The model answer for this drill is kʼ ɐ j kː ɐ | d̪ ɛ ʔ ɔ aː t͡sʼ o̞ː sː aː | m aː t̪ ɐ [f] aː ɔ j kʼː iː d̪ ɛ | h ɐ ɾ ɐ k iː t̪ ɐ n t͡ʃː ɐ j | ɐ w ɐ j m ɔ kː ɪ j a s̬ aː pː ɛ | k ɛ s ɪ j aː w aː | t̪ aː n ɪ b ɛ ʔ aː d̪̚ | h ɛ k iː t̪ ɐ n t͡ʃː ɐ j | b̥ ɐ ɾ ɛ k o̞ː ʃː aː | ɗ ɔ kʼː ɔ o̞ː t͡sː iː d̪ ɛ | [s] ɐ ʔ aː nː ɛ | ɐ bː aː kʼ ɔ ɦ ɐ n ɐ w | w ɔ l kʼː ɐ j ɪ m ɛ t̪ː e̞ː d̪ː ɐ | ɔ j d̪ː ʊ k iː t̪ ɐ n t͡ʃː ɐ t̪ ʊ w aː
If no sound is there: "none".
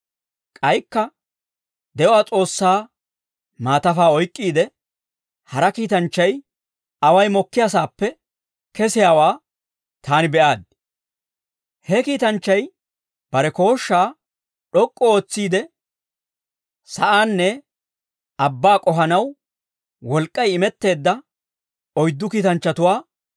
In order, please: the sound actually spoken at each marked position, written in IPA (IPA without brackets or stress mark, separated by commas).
f, s